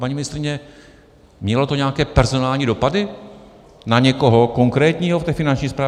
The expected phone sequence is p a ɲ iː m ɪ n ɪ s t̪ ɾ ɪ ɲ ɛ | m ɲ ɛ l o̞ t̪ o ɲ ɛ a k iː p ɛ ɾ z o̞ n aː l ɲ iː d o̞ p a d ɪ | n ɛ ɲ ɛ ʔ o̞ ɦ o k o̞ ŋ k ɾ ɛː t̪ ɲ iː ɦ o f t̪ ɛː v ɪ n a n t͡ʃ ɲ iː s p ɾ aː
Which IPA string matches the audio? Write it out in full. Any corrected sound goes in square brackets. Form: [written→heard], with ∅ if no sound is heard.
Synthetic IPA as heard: p a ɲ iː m ɪ n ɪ s t̪ ɾ ɪ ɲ ɛ | m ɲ ɛ l o̞ t̪ o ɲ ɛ a k [iː→ɛː] p ɛ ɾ z o̞ n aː l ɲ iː d o̞ p a d ɪ | n [ɛ→a] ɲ ɛ [ʔ→k] o̞ ɦ o k o̞ ŋ k ɾ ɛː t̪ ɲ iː ɦ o f t̪ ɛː [v→f] ɪ n a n t͡ʃ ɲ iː s p ɾ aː

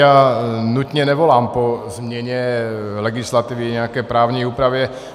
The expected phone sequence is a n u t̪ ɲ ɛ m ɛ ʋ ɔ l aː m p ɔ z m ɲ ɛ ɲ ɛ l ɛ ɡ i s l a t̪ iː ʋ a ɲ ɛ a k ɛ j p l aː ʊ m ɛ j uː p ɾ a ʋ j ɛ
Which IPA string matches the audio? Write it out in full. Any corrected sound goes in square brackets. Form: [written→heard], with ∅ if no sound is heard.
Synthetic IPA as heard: a n u t̪ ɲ ɛ [m→n] ɛ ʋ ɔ l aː m p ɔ z m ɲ ɛ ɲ ɛ l ɛ ɡ i s l a t̪ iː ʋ [a→i] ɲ ɛ a k ɛ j p [l→ɾ] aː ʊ [m→ɲ] ɛ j uː p ɾ a ʋ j ɛ

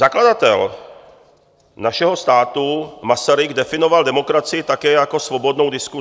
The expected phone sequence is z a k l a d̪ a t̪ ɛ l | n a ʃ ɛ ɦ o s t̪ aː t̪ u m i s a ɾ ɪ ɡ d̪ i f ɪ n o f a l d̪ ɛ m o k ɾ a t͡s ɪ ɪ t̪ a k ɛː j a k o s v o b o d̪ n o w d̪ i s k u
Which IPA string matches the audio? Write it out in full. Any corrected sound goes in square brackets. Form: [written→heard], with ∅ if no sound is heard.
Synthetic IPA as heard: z a k l a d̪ a t̪ ɛ l | n a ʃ ɛ ɦ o s t̪ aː t̪ u m [i→a] s a ɾ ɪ ɡ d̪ [i→ɛ] f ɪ n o [f→v] a l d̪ ɛ m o k ɾ a t͡s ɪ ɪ t̪ a k ɛː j a k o s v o b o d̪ n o w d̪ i s k u

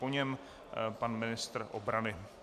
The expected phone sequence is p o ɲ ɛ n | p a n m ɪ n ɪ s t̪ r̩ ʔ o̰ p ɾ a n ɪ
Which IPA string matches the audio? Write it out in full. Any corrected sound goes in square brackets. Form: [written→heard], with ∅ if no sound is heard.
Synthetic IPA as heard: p o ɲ ɛ [n→m] | p a n m ɪ n ɪ s t̪ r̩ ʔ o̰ [p→b] ɾ a n ɪ

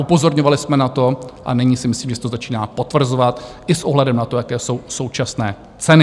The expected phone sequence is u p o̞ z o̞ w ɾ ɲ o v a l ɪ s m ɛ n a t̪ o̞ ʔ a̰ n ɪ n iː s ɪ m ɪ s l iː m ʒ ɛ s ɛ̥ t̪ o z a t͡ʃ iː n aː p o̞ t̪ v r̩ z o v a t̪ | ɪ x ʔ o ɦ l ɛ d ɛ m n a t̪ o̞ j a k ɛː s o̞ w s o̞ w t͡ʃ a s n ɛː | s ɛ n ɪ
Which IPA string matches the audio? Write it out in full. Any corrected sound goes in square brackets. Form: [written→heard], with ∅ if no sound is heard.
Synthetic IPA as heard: u p o̞ z o̞ [w→∅] ɾ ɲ o v a l ɪ s m ɛ n a t̪ o̞ ʔ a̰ n ɪ [n→ɲ] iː s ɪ m ɪ s l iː m ʒ ɛ s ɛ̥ t̪ o z a t͡ʃ iː n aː p o̞ t̪ v r̩ z o v a t̪ | ɪ [x→s] ʔ o ɦ l ɛ d ɛ m n a t̪ o̞ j a k ɛː s o̞ w s o̞ w t͡ʃ a s n ɛː | [s→t͡s] ɛ n ɪ

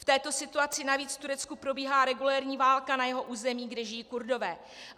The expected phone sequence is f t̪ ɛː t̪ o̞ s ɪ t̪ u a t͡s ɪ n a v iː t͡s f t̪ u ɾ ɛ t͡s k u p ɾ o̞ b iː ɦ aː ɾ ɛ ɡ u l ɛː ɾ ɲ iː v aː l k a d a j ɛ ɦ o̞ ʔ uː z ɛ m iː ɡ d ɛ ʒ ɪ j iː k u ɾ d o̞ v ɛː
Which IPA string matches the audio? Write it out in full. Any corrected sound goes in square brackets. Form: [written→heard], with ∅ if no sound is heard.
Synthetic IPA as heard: f t̪ ɛː t̪ o̞ s ɪ t̪ u a t͡s ɪ n a v iː t͡s f t̪ u ɾ ɛ t͡s k u p ɾ o̞ b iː ɦ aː ɾ ɛ ɡ u l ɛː ɾ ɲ iː v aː l k a [d→n] a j ɛ ɦ o̞ ʔ uː z ɛ m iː ɡ d ɛ ʒ ɪ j iː k u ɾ d o̞ v ɛː

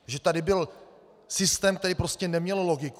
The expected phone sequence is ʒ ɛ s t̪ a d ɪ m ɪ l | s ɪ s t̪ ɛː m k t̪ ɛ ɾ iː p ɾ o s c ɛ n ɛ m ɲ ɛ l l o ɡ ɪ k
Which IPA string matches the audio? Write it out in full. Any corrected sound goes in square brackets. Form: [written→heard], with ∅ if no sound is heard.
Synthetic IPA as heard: ʒ ɛ [s→∅] t̪ a d ɪ [m→b] ɪ l | s ɪ s t̪ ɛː m k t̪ ɛ ɾ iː p ɾ o s c ɛ n ɛ m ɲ ɛ l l o ɡ ɪ k

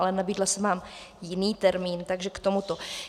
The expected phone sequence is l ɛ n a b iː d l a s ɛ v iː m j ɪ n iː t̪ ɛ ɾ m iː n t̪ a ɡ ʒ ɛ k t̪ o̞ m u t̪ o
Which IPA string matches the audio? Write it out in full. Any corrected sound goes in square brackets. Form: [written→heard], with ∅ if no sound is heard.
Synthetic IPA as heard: l ɛ n a b iː d l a s ɛ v [iː→aː] m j ɪ n iː t̪ ɛ ɾ m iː n t̪ a ɡ ʒ ɛ k t̪ o̞ m u t̪ o

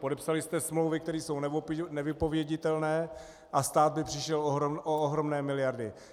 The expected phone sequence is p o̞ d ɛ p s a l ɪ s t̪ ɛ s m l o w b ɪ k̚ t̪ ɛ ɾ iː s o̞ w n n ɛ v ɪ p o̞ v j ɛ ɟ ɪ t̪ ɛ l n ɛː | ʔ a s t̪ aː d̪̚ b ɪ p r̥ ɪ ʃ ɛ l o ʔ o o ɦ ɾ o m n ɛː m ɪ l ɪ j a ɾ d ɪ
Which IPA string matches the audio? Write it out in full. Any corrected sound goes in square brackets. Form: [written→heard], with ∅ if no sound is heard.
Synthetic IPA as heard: p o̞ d ɛ p s a l ɪ s t̪ ɛ s m l o w [b→v] ɪ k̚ t̪ ɛ ɾ iː s o̞ w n n ɛ v ɪ p o̞ v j ɛ ɟ ɪ t̪ ɛ l n ɛː | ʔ a s t̪ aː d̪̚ b ɪ p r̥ ɪ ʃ ɛ l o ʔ o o ɦ ɾ o m n ɛː m ɪ l ɪ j a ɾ d ɪ

